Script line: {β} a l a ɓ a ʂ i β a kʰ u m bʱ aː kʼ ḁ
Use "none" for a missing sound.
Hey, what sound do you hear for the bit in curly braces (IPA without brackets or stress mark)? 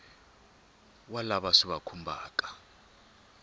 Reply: w